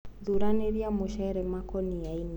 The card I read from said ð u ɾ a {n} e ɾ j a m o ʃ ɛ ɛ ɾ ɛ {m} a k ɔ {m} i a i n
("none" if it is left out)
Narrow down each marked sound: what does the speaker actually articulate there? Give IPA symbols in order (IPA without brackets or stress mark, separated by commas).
n, m, n